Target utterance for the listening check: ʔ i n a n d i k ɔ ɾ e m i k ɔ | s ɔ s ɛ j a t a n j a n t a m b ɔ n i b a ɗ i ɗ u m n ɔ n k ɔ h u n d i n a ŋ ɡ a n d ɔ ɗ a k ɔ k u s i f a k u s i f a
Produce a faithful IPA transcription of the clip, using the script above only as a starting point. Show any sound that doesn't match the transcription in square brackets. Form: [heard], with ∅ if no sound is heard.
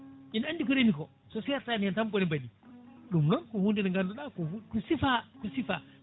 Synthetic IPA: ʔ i n a n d i k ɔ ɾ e m i k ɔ | s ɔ s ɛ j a t a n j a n t a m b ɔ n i b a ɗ i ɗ u m n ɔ n k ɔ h u n d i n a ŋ ɡ a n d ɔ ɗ a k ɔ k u s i f a k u s i f a